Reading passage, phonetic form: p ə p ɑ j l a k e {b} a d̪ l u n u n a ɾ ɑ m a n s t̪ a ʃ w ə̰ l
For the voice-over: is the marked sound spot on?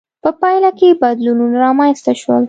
yes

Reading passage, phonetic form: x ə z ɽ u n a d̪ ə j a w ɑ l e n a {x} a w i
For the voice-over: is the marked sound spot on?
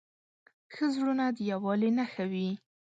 yes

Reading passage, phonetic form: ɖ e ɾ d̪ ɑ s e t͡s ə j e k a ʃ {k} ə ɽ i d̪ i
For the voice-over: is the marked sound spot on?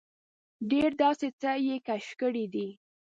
yes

